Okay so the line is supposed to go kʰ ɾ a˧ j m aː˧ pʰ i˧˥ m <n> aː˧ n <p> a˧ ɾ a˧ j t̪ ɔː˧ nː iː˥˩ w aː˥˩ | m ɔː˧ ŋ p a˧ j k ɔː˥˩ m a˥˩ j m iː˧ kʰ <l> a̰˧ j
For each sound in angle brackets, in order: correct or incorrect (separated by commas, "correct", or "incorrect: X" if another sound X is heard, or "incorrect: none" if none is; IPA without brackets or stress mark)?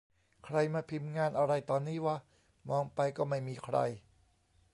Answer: incorrect: ŋ, incorrect: ʔ, incorrect: ɾ